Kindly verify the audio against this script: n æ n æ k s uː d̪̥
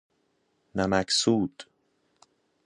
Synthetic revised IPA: n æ m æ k s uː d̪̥